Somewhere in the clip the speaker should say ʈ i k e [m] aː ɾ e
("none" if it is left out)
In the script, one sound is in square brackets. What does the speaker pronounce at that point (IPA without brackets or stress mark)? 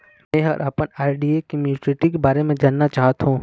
b